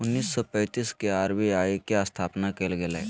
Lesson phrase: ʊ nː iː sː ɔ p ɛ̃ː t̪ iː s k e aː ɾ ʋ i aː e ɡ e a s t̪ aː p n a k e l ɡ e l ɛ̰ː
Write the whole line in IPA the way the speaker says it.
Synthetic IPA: ʊ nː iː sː ɔ p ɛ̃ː t̪ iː s k e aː ɾ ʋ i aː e k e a s t̪ʰ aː p n a k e l ɡ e l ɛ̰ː